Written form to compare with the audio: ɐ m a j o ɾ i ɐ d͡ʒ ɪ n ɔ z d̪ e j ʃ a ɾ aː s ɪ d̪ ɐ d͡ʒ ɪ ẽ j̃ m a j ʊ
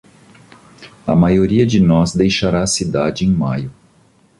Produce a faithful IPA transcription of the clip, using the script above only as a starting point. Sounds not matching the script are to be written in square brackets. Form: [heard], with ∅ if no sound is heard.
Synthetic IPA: ɐ m a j o ɾ i ɐ d͡ʒ ɪ n ɔ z d̪ e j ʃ a ɾ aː s [i] d̪ [a] d͡ʒ ɪ ẽ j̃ m a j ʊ